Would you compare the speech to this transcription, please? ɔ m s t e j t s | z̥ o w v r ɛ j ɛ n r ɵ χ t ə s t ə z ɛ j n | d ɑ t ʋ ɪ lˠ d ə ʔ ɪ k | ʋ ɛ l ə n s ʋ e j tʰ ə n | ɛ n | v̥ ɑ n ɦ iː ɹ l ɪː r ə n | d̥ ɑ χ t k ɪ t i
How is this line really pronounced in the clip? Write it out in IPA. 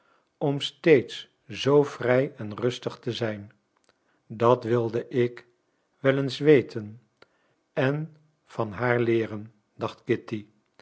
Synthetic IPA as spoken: ɔ m s t e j t s | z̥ o w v r ɛ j ɛ n r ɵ s t ə χ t ə z ɛ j n | d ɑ t ʋ ɪ lˠ d ə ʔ ɪ k | ʋ ɛ l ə n s ʋ e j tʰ ə n | ɛ n | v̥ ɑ n ɦ aː ɹ l ɪː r ə n | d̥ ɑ χ t k ɪ t i